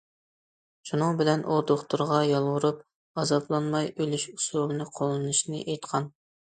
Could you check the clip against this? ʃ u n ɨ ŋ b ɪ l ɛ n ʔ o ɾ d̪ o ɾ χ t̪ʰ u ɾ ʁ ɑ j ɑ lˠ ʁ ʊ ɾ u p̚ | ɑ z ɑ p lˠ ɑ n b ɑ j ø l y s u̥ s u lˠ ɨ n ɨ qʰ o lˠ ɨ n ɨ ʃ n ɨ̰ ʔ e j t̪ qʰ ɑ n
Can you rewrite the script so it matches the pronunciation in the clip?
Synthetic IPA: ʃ u n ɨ ŋ b ɪ l ɛ n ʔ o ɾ d̪ o χ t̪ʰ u ɾ ʁ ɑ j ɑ lˠ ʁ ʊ ɾ u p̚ | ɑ z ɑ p lˠ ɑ n m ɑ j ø l y ʃ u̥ s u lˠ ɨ n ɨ qʰ o lˠ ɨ n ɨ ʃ n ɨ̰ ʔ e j t̪ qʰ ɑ n